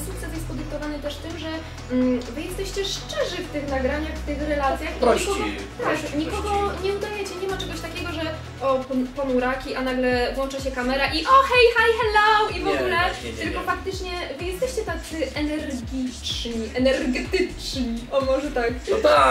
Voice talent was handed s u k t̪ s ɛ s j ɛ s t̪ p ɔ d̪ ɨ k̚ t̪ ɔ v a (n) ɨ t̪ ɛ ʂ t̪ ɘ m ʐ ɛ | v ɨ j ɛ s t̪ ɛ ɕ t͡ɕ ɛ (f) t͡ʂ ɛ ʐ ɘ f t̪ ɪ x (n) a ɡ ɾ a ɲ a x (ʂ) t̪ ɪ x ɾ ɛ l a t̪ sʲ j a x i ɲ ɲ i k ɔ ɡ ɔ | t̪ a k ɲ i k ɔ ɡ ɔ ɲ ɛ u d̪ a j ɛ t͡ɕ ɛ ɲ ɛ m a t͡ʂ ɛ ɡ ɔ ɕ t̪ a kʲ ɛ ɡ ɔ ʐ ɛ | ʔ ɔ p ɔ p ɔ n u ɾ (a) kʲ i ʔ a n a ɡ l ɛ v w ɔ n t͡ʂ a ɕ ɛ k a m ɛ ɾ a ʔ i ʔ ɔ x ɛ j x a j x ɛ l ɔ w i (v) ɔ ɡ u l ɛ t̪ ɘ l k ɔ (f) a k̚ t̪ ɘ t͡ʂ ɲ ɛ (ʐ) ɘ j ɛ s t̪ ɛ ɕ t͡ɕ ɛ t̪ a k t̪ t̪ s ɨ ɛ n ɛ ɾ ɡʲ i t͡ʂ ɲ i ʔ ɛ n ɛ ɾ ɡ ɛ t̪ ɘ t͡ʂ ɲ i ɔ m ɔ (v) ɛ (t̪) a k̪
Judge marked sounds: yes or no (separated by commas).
yes, no, yes, no, yes, yes, yes, no, no, yes